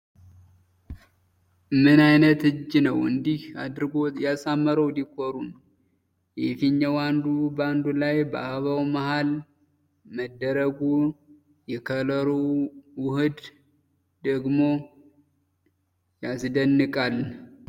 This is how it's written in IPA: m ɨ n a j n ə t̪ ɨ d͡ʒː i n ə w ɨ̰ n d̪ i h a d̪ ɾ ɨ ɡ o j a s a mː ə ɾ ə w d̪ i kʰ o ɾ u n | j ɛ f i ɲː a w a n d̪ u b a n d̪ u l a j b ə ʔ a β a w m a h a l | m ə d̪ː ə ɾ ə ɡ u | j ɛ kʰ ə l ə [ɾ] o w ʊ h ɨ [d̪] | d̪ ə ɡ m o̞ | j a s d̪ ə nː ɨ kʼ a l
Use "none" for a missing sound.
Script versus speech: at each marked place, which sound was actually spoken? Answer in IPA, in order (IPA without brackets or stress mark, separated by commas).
ɾ, d̪